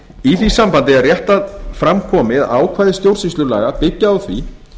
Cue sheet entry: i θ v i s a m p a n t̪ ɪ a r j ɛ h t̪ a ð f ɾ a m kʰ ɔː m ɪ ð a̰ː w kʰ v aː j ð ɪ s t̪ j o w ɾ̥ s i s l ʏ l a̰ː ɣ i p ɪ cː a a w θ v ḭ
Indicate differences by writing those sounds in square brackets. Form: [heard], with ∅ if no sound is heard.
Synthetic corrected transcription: i θ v i s a m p a n t̪ ɪ a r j ɛ h t̪ a ð f ɾ a m kʰ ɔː m ɪ ð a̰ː w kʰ v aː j ð ɪ s t̪ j o w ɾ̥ s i s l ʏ l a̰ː ɣ [a] p ɪ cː a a w θ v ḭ